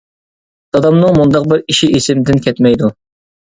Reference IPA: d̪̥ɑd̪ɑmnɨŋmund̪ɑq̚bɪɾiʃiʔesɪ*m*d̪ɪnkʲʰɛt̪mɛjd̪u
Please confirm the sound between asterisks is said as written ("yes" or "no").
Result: yes